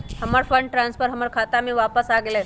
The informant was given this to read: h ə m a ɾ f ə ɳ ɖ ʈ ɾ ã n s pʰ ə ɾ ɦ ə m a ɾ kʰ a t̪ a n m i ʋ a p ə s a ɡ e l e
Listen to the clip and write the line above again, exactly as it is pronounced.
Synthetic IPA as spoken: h ə m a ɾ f ə ɳ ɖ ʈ ɾ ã n s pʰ ə ɾ ɦ ə m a ɾ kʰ a t̪ a m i ʋ a p ə s a ɡ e l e